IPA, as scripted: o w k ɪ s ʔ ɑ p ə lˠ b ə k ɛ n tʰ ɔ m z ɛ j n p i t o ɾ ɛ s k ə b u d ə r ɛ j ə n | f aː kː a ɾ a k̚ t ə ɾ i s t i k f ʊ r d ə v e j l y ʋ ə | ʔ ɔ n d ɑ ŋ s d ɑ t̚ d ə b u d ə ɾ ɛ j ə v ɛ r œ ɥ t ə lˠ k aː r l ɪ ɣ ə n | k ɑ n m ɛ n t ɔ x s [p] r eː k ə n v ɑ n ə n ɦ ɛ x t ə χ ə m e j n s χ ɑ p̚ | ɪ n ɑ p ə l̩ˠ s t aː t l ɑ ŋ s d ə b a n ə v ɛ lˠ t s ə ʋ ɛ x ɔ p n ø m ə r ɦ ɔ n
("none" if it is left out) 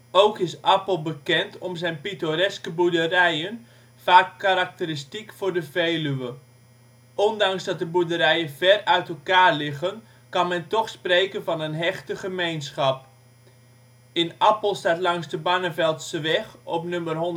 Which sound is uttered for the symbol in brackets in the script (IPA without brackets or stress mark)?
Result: p